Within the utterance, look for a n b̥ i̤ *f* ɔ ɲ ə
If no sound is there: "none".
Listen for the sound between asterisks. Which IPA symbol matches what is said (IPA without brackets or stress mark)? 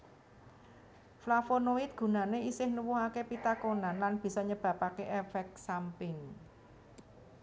s